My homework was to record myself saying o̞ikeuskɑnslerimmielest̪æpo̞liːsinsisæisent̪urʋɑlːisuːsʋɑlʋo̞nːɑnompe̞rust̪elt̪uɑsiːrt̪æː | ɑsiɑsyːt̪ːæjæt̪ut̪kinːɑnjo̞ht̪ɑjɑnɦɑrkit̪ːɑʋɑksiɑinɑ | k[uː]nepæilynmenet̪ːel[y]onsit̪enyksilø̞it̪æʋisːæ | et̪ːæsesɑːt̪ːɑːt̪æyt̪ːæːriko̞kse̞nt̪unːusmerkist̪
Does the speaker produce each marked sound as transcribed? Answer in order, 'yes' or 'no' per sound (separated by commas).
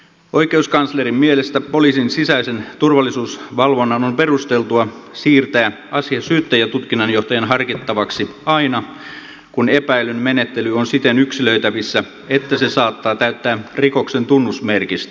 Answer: no, yes